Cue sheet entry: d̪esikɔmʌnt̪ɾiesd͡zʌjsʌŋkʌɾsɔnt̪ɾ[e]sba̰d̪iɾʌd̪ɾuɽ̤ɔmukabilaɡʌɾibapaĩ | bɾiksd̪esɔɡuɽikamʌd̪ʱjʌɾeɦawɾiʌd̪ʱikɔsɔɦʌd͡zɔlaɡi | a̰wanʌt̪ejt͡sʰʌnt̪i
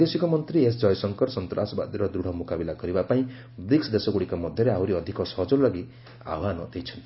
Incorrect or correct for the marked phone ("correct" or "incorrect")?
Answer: incorrect